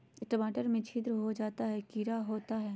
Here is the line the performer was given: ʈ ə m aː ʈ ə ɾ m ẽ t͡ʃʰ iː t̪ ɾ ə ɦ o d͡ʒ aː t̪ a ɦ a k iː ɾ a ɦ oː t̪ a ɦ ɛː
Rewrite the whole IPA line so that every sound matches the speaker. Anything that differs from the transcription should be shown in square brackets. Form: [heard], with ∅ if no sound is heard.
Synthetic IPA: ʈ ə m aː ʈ ə ɾ m ẽ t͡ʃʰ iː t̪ ɾ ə ɦ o d͡ʒ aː t̪ a ɦ [ɛ] k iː ɾ a ɦ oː t̪ a ɦ ɛː